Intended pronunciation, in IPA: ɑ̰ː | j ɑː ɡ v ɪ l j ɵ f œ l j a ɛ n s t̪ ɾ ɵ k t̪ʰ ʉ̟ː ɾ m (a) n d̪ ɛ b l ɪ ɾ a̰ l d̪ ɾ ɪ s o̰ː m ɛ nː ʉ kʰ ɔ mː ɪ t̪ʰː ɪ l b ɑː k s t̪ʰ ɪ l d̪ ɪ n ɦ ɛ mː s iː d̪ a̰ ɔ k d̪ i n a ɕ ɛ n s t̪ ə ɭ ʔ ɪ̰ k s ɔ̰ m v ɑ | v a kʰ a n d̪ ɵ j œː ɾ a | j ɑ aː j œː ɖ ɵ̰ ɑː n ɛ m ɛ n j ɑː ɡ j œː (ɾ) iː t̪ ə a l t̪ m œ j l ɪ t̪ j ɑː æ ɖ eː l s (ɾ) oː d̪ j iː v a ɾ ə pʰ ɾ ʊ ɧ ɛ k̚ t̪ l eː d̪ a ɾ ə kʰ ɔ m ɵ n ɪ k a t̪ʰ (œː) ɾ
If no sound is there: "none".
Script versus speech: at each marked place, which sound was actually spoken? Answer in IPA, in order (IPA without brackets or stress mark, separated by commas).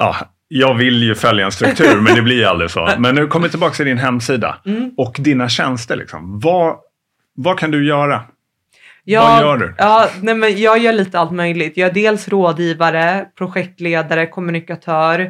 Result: ɛ, ɭ, ɾ, œː